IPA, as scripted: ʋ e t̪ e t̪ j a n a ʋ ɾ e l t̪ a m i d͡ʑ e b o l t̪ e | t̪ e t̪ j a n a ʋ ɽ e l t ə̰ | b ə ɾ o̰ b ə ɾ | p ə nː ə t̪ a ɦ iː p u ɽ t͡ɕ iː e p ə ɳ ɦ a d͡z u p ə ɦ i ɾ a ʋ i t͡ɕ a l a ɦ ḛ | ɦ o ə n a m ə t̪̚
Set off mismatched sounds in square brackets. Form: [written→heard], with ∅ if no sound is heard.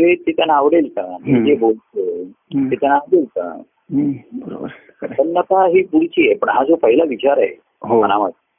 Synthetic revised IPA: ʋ e t̪ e t̪ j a n a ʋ [ɾ→ɽ] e l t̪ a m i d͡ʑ e b o l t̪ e | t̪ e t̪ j a n a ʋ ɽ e l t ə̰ | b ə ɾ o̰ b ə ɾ | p ə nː ə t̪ a ɦ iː p u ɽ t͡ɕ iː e p ə ɳ ɦ a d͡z [u→o] p ə ɦ i [ɾ→l] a ʋ i t͡ɕ a [l→ɾ] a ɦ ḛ | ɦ o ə n a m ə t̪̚